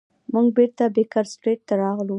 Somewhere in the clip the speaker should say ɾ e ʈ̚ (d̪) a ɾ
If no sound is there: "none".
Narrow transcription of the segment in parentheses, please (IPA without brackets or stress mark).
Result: t̪